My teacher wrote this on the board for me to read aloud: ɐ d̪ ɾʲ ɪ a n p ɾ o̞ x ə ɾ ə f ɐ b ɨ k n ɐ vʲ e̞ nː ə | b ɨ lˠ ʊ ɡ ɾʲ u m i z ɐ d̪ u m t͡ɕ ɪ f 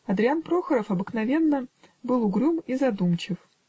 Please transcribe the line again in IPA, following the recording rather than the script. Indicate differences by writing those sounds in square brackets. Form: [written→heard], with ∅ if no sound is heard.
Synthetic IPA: ɐ d̪ ɾʲ ɪ a n p ɾ o̞ x ə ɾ ə f ɐ b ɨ k n ɐ vʲ e̞ nː ə | b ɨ lˠ ʊ ɡ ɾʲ u m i z ɐ d̪ u m t͡ɕ ɪ f